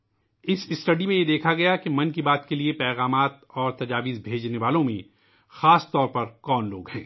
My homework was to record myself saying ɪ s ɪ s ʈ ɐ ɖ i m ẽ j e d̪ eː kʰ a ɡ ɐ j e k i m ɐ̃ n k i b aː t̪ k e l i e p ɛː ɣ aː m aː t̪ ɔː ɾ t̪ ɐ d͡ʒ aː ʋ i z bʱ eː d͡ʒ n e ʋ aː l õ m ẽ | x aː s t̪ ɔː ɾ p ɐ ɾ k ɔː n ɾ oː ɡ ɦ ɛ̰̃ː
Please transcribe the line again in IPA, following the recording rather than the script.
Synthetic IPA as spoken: ɪ s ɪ s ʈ ɐ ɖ i m ẽ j e d̪ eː kʰ a ɡ ɐ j a k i m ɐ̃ n k i b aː t̪ k e l i e p ɛː ɣ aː m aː t̪ ɔː ɾ t̪ ɐ d͡ʒ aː ʋ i z bʱ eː d͡ʒ n e ʋ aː l õ m ẽ | x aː s t̪ ɔː ɾ p ɐ ɾ k ɔː n l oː ɡ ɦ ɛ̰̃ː